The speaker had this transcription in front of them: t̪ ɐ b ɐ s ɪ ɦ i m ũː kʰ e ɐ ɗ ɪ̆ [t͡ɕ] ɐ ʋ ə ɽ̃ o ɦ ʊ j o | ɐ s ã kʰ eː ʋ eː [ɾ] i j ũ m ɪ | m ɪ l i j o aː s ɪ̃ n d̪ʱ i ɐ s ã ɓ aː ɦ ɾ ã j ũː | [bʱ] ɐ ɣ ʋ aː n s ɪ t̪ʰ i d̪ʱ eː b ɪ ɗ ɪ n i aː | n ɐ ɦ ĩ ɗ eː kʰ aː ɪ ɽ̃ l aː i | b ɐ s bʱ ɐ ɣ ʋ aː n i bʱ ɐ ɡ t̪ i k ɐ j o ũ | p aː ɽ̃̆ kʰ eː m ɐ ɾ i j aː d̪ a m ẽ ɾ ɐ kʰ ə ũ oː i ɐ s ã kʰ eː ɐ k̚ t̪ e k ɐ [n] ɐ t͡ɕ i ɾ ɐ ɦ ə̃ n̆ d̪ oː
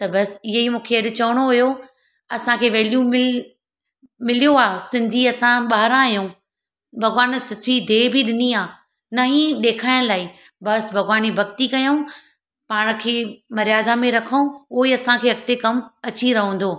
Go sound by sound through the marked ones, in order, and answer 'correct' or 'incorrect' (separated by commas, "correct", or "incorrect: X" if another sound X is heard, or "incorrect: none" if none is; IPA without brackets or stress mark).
correct, incorrect: l, correct, incorrect: m